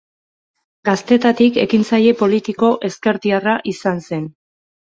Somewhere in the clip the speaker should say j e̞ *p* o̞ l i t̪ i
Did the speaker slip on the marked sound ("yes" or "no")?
no